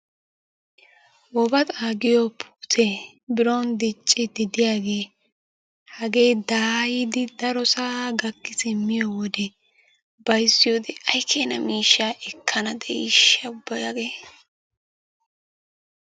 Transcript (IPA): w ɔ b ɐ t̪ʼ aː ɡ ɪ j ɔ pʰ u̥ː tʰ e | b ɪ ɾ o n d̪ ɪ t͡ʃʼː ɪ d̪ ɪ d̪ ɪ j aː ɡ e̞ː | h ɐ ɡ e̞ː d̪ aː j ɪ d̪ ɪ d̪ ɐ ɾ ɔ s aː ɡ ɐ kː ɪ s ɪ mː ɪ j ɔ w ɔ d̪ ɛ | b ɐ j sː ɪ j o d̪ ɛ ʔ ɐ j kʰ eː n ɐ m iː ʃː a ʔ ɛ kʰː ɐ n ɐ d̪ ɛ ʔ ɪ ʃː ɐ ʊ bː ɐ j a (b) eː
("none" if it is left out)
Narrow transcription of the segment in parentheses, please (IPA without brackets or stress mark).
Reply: ɡ